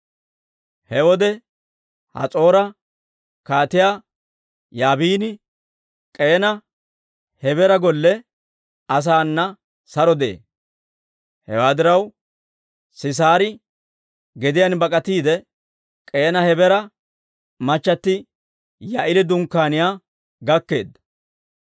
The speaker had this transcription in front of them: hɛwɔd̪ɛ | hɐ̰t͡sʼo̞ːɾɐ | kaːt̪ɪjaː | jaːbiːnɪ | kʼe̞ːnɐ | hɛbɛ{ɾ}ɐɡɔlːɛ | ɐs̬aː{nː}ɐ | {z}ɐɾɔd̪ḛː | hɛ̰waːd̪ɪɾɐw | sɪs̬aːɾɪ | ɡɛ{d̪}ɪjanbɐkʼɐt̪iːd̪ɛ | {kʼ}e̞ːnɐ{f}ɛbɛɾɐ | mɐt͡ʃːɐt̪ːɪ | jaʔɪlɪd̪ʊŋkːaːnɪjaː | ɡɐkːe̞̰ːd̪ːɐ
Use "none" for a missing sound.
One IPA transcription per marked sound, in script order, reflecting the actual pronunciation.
ɾ, nː, s, d̪, kʼ, h

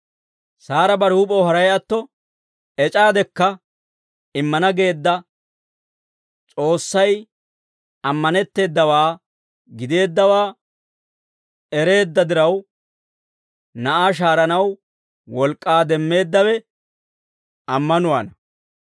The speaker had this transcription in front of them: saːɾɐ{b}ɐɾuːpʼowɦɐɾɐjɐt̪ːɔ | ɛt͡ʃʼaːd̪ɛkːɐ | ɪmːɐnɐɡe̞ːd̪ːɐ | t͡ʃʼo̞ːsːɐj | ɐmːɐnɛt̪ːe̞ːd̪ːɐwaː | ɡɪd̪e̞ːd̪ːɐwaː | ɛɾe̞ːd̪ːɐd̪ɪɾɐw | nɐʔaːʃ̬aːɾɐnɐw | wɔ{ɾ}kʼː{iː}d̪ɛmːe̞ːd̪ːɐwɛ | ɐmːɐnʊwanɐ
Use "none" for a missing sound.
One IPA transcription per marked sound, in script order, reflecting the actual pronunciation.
b, l, aː

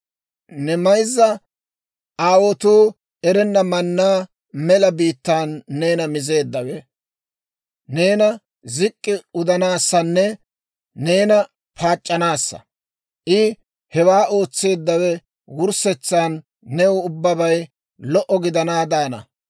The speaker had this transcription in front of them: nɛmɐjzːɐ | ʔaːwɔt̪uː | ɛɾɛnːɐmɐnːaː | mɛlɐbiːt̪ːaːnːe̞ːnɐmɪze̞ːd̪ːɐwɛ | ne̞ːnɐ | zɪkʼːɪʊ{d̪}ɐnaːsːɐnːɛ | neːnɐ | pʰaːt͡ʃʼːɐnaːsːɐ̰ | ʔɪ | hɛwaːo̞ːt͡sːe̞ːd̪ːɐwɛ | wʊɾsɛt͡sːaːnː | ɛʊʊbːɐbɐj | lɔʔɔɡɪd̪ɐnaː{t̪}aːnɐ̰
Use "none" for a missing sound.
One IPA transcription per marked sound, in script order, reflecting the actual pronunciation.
d̪, d̪

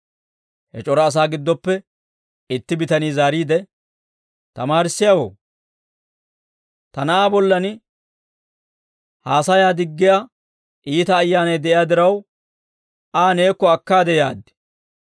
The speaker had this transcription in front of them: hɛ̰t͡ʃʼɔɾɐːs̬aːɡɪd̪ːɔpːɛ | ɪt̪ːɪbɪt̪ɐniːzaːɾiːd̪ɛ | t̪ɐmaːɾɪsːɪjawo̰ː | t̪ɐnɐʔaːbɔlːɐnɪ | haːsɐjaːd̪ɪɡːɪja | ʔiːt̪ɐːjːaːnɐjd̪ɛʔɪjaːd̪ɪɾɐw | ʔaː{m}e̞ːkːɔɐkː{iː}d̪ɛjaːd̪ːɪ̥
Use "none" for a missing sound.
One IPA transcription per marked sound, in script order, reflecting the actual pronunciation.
n, aː

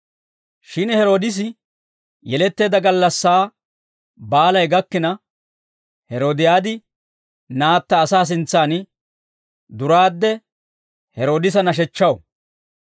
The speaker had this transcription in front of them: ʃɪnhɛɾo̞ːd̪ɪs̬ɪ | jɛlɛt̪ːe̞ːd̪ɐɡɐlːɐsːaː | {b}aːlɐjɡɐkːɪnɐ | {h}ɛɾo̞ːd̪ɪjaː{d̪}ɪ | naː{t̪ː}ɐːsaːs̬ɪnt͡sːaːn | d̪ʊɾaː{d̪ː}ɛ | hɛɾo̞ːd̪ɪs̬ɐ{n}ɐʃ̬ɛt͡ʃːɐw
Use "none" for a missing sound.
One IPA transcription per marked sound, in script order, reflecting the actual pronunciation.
b, h, d̪, t̪ː, d̪ː, n

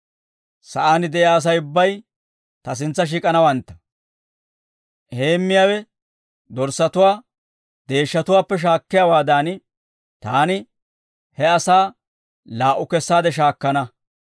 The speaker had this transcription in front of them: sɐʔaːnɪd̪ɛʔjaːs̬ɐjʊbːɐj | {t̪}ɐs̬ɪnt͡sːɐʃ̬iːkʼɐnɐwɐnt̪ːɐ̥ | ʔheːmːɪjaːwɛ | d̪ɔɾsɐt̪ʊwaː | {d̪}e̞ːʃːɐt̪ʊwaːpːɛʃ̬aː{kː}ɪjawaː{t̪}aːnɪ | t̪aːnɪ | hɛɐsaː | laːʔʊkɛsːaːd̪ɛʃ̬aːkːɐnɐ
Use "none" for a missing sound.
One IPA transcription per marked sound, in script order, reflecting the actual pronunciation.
t̪, d̪, kː, d̪

